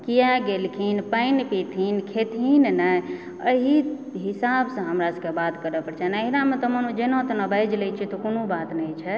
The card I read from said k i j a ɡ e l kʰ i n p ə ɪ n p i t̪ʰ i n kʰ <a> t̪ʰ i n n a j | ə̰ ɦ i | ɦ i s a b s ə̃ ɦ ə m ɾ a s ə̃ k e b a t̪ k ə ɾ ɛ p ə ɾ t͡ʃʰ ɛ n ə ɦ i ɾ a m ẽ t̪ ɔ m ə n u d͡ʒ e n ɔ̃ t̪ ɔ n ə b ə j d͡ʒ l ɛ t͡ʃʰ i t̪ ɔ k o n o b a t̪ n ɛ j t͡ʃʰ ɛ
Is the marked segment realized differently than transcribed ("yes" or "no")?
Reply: yes